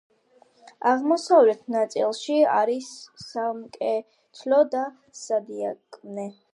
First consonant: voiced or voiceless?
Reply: voiced